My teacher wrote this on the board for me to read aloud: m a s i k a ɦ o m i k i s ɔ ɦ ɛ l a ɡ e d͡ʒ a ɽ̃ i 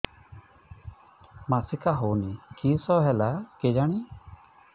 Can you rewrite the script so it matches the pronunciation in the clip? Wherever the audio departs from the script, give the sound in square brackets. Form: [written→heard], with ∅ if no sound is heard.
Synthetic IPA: m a s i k a ɦ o [m→n] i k i s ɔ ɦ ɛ l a [ɡ→k] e d͡ʒ a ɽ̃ i